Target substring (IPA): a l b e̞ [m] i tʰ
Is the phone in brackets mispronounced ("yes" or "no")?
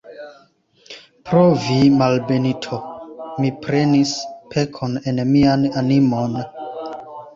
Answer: yes